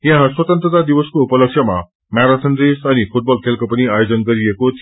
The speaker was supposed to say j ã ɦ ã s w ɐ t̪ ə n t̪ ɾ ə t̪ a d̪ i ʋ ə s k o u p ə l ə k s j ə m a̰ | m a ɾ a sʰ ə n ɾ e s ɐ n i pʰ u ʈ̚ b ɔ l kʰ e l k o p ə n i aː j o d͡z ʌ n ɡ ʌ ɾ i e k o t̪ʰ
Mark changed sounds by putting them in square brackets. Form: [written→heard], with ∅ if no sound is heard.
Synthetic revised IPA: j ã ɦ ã s w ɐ t̪ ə n t̪ ɾ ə t̪ a d̪ i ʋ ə s k o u p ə l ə k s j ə m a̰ | m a ɾ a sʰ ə n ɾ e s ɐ n i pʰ u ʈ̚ b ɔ l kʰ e l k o p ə n i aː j o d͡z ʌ n ɡ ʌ ɾ i e k o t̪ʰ